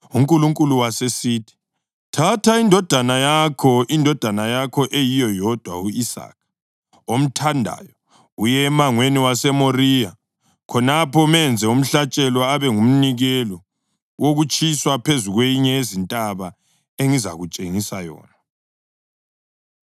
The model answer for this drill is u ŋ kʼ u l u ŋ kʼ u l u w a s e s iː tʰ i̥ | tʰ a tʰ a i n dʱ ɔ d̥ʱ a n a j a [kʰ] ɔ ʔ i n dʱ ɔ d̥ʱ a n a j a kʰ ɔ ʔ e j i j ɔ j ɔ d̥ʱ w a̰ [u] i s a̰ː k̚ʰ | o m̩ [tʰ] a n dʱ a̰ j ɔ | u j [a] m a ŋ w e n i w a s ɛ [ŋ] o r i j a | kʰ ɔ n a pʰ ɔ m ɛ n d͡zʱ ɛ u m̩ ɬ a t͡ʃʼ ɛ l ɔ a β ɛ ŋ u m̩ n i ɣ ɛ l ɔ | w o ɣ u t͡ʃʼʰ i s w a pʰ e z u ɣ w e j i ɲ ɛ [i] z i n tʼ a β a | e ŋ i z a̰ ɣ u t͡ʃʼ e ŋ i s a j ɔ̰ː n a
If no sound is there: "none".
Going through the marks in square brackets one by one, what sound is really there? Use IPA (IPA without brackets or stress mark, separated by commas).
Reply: kʰ, u, tʰ, ɛ, m, e